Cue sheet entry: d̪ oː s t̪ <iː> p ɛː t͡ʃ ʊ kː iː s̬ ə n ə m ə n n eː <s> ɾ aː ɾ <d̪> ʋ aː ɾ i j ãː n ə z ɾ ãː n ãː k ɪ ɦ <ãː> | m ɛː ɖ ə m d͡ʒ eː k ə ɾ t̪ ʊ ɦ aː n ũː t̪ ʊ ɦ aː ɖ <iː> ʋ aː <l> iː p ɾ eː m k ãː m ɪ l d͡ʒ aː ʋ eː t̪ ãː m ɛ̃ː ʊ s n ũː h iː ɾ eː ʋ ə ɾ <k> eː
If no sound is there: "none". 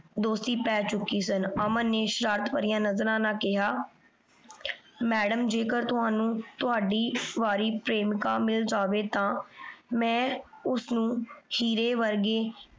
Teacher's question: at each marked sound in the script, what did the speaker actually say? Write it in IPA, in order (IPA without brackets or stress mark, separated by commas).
iː, ʃ, t̪, aː, iː, ɾ, ɡ